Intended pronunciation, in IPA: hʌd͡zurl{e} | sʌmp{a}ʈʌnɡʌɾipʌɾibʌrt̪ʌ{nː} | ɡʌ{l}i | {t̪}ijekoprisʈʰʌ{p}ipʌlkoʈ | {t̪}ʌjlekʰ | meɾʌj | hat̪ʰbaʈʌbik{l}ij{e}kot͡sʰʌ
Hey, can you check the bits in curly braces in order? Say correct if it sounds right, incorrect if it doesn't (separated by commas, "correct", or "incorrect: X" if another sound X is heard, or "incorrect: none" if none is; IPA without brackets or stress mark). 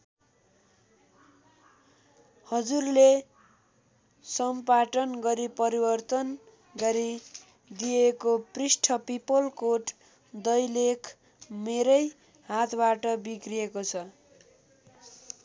correct, correct, incorrect: n, incorrect: ɾ, incorrect: d̪, correct, incorrect: d̪, incorrect: r, correct